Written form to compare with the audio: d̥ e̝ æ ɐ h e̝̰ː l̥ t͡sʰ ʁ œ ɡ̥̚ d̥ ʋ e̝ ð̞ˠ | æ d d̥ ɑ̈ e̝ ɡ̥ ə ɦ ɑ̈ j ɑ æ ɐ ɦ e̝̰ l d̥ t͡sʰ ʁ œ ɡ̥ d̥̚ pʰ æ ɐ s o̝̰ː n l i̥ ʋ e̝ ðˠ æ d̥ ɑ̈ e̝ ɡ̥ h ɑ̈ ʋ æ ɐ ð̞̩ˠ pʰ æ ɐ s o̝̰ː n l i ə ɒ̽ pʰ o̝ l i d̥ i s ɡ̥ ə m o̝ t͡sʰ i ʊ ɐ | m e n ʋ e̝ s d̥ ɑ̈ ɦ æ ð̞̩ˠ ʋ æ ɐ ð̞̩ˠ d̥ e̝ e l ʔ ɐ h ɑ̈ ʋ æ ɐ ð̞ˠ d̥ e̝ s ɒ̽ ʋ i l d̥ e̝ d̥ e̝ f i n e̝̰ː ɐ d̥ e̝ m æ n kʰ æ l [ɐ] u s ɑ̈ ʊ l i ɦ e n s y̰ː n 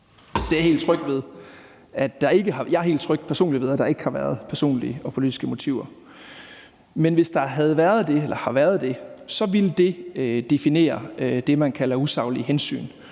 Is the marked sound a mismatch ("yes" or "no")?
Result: no